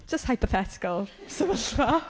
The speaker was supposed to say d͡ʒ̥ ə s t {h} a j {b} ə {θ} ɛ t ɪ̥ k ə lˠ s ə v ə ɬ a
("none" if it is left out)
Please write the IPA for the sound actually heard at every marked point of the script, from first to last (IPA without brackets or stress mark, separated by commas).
h, p, θ